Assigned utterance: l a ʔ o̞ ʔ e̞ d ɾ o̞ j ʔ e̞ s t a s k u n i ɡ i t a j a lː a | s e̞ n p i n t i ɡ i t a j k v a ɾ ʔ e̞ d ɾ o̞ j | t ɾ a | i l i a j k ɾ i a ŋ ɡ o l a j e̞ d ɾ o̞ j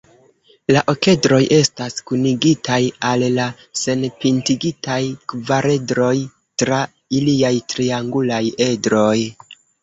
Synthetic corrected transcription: l a ʔ o̞ k e̞ d ɾ o̞ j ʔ e̞ s t a s k u n i ɡ i t a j a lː a | s e̞ n p i n t i ɡ i t a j k v a ɾ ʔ e̞ d ɾ o̞ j | t ɾ a | i l i a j t ɾ i a ŋ ɡ u l a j e̞ d ɾ o̞ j